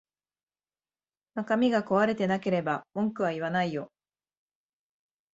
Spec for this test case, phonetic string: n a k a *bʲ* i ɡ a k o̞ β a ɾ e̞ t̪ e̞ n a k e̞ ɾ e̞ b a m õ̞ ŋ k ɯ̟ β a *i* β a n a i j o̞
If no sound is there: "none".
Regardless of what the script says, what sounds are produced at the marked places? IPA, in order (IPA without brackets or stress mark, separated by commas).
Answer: mʲ, i